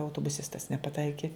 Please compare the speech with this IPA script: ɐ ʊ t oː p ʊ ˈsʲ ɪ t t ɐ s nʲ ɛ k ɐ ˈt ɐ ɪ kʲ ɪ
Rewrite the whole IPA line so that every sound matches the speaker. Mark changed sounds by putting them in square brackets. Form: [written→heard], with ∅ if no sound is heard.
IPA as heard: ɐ ʊ t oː [p→b] ʊ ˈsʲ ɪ [t→s] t ɐ s nʲ ɛ [k→p] ɐ ˈt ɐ ɪ kʲ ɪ